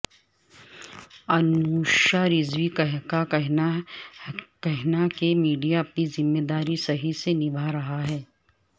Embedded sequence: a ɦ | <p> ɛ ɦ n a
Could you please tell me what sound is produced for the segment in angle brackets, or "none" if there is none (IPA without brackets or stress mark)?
k